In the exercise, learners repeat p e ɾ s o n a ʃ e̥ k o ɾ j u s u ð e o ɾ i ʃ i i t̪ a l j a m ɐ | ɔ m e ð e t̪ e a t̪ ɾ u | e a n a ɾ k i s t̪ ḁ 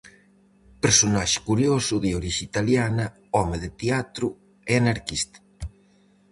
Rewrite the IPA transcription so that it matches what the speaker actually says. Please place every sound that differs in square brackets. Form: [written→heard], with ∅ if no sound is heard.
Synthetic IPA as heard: p e ɾ s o n a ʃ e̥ k [o→u] ɾ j [u→o] s u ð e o ɾ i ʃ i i t̪ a l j a [m→n] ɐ | ɔ m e ð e t̪ e a t̪ ɾ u | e a n a ɾ k i s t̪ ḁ